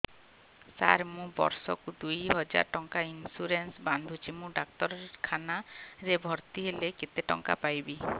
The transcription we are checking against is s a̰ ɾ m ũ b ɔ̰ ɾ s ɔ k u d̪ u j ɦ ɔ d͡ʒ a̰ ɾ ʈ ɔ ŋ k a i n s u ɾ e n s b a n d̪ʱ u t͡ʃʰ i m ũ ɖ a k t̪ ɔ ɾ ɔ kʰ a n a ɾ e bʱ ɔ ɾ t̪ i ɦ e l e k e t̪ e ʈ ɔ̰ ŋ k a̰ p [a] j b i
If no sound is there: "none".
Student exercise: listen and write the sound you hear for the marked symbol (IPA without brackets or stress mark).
a